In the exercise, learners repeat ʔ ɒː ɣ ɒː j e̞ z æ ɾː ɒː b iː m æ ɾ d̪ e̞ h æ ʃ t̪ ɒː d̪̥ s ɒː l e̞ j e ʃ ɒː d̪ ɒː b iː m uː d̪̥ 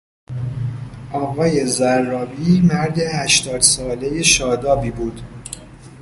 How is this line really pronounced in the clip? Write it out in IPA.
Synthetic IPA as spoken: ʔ ɒː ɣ ɒː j e̞ z æ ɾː ɒː b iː m æ ɾ d̪ e̞ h æ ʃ t̪ ɒː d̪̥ s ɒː l e̞ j e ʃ ɒː d̪ ɒː b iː b uː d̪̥